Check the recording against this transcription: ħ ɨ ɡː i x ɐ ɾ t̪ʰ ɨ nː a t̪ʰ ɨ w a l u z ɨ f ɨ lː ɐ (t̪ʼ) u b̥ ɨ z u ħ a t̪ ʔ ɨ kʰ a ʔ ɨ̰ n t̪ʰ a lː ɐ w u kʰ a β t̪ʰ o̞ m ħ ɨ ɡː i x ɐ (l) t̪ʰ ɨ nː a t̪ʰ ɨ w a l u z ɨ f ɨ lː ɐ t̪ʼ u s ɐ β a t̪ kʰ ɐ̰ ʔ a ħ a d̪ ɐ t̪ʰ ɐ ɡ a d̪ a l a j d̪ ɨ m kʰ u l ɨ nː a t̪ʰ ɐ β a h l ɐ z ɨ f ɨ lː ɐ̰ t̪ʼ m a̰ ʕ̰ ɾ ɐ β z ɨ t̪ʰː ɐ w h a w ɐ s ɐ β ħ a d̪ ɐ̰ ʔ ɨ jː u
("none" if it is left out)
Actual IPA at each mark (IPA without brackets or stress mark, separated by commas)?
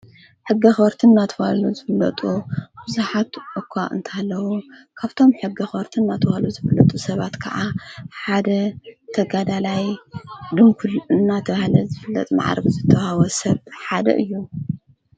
t̪ʼ, ɾ